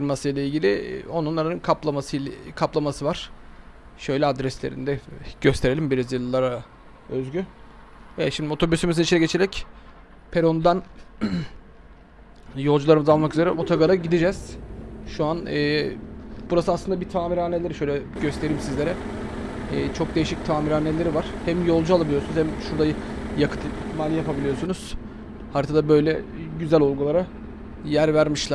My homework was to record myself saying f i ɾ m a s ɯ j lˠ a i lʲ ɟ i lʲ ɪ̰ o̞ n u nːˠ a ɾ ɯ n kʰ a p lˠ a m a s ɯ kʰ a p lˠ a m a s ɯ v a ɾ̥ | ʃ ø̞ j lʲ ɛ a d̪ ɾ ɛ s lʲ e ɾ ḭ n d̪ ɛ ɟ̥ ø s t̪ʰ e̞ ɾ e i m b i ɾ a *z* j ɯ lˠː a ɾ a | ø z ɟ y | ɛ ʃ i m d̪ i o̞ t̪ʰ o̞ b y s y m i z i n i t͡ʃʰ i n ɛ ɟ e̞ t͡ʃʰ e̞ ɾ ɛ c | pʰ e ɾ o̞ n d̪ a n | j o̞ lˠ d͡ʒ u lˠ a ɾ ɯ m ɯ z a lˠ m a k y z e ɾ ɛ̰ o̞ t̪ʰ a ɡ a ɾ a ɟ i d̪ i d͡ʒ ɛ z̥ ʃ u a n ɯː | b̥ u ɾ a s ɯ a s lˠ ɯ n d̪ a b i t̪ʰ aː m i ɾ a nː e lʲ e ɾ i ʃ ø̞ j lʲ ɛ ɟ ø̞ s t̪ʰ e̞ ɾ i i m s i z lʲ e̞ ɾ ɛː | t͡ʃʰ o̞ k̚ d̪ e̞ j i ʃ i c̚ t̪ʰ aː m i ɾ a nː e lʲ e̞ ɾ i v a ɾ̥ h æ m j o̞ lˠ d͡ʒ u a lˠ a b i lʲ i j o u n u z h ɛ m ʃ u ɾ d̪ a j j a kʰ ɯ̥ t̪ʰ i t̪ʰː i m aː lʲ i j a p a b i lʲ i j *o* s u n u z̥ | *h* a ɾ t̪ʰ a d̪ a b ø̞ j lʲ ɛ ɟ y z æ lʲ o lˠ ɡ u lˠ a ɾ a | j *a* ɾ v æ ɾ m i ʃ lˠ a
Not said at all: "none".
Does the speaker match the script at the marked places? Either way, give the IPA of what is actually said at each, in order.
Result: z, o, h, æ

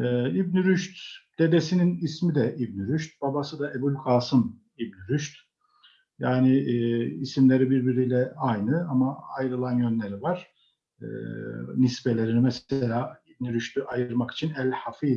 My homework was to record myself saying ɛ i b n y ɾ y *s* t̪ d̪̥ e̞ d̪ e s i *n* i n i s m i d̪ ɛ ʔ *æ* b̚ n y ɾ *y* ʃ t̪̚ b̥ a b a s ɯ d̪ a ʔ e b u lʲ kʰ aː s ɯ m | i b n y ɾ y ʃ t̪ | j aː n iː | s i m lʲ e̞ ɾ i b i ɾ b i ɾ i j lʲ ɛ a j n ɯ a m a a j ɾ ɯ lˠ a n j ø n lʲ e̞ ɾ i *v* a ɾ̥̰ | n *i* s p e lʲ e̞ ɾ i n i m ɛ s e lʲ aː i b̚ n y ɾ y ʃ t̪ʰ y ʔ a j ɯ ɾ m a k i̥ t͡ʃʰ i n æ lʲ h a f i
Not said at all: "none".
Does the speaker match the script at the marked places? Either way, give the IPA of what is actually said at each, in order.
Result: ʃ, n, i, y, v, i

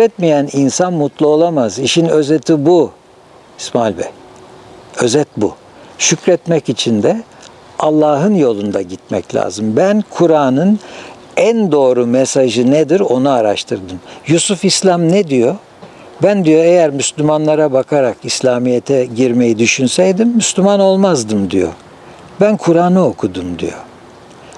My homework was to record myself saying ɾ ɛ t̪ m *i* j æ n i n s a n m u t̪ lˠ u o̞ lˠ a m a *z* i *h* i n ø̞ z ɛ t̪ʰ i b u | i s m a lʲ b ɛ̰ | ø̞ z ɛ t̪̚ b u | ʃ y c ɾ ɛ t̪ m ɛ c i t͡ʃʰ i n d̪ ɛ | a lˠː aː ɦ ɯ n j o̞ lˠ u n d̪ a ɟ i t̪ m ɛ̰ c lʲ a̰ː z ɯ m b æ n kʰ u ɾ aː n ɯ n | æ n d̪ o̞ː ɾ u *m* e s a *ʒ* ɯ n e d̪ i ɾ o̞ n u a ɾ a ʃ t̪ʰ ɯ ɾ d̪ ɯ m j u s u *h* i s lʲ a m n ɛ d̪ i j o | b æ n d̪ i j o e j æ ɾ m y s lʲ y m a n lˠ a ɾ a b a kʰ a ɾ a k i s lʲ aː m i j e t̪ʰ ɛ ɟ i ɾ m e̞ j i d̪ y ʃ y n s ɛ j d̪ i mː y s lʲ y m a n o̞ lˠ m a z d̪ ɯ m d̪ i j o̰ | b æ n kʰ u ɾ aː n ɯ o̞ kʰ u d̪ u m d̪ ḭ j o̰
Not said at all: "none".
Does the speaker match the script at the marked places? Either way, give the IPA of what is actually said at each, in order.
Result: i, z, ʃ, m, ʒ, f

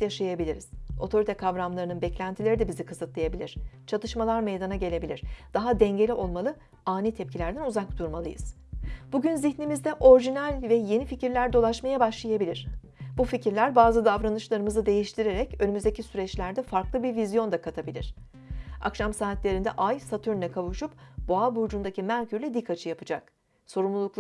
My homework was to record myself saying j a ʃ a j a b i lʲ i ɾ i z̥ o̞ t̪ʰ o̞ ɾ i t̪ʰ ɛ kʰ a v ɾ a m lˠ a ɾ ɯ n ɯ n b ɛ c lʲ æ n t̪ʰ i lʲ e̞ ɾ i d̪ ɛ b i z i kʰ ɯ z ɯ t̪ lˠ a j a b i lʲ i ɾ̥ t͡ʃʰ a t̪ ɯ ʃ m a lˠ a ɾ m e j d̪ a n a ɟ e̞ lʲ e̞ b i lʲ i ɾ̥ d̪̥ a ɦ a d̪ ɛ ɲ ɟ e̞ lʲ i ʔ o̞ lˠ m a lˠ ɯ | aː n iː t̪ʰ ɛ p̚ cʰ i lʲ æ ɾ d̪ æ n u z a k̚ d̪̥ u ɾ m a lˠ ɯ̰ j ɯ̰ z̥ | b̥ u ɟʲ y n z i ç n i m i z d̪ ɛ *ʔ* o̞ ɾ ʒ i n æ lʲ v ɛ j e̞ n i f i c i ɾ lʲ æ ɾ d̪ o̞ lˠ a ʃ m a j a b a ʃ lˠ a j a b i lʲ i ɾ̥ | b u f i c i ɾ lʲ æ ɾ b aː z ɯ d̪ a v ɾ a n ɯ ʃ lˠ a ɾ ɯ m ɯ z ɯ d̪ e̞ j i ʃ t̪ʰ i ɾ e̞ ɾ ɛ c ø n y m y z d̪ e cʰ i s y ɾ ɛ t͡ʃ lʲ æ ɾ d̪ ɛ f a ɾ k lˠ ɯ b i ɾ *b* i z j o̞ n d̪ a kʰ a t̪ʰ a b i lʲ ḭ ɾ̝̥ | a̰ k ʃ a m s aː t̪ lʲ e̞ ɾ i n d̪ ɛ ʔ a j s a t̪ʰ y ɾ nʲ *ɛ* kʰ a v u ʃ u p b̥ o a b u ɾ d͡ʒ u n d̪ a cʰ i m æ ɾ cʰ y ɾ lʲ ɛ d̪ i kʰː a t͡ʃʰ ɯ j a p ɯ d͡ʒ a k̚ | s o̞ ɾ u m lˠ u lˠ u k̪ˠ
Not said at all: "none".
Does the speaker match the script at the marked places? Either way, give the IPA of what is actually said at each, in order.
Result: ʔ, v, ɛ

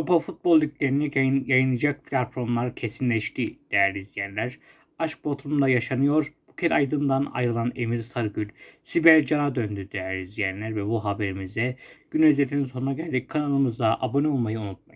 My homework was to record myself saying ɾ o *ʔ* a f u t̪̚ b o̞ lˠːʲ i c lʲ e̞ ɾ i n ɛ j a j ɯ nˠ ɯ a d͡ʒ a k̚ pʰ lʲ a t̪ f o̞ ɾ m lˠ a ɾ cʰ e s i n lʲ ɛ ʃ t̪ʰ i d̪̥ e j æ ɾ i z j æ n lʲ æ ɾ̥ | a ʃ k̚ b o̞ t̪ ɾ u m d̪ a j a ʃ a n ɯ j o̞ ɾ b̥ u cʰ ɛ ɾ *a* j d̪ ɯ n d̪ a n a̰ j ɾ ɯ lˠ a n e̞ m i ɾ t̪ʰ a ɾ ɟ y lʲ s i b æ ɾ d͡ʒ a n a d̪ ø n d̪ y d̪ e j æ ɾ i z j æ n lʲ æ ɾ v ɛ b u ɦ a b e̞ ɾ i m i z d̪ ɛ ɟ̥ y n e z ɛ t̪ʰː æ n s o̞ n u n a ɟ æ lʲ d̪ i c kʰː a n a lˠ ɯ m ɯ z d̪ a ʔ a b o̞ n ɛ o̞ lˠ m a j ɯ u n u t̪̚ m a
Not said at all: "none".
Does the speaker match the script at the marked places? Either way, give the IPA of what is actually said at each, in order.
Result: p, a

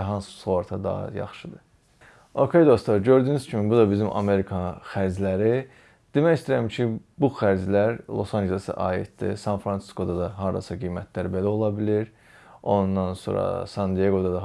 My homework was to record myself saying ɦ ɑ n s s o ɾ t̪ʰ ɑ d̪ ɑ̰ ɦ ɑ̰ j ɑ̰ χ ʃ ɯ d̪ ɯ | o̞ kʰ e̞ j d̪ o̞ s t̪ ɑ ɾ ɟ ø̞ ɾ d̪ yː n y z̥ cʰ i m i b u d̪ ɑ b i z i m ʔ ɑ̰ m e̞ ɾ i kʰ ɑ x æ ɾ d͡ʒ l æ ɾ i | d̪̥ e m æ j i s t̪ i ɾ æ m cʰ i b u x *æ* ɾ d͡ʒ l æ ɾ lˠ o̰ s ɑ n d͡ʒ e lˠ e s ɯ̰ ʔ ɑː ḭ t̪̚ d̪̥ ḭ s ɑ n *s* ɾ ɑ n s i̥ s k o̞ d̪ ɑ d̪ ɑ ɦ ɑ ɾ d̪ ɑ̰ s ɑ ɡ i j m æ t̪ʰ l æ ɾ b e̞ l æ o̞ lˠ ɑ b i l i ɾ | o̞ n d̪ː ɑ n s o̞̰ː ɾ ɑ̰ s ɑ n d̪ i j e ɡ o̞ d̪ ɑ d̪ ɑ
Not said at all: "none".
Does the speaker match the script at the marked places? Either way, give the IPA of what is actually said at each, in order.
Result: æ, f

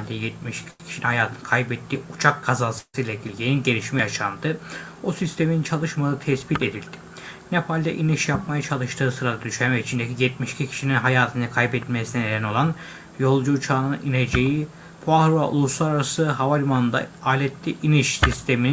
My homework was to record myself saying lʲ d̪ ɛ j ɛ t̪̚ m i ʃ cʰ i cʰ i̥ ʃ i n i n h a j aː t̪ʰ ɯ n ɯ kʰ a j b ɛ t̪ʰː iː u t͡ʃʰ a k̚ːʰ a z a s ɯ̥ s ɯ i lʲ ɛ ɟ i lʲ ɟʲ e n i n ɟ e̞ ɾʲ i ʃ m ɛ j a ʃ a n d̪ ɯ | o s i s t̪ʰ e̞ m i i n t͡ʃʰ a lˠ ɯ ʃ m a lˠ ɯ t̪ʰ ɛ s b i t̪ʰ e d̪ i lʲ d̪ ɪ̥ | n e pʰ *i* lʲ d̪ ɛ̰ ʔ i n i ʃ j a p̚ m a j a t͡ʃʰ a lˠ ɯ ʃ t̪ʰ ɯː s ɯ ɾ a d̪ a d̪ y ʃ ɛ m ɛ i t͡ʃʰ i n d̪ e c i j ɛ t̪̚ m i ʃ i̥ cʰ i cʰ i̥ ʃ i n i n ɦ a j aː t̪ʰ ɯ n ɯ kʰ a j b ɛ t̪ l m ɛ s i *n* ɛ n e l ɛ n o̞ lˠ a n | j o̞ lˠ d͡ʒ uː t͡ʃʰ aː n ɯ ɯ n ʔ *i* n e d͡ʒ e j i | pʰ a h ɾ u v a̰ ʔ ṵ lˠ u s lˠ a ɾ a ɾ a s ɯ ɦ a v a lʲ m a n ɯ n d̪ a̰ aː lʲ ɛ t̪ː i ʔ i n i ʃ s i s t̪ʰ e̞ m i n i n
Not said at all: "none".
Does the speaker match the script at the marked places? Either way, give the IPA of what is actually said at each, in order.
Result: a, n, i

